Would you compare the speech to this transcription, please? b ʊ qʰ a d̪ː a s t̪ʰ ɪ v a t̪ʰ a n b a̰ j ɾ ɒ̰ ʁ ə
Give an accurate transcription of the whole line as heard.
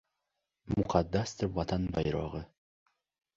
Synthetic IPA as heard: m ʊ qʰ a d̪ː a s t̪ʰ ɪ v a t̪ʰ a n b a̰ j ɾ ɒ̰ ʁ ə